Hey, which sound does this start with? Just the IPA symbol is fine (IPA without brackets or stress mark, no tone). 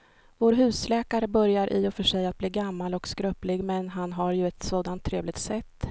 v